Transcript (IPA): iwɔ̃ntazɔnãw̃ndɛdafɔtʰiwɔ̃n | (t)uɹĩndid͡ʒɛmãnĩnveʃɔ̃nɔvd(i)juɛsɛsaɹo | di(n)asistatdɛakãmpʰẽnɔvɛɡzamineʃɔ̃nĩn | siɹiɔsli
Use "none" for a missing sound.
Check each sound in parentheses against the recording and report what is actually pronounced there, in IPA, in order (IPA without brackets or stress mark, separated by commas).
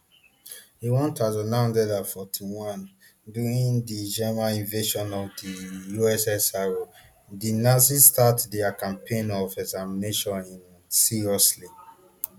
d, i, n